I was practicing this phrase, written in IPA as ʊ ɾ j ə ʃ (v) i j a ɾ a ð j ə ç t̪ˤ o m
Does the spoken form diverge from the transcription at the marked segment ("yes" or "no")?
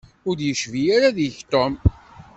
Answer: no